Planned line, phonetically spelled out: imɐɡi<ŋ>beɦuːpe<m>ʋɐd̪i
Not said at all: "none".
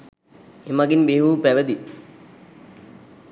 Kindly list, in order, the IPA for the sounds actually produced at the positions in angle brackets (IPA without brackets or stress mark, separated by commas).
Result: n, none